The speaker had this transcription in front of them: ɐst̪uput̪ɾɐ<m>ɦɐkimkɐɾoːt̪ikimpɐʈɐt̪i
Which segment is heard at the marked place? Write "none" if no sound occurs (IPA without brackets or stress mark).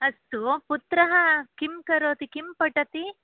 none